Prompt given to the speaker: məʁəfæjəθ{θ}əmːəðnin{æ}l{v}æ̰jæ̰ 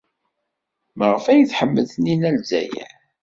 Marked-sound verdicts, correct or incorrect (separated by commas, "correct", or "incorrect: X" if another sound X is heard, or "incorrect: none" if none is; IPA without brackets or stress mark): incorrect: ħ, correct, incorrect: z